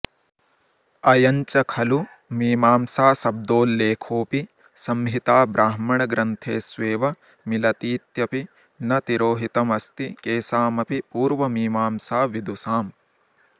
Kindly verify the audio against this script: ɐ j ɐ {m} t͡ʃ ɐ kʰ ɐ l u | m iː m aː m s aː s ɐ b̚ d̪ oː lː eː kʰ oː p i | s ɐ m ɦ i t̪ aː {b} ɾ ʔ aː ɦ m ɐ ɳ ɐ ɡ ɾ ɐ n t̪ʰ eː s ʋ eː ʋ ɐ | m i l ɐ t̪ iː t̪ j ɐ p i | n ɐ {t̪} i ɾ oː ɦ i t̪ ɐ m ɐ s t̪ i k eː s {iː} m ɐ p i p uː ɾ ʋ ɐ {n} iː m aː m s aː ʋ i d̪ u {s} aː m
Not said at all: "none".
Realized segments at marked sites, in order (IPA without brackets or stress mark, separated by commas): ɲ, b, t̪, aː, m, s